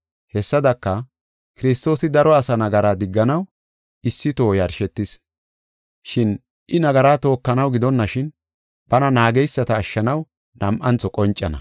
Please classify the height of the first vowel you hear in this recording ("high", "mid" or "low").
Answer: mid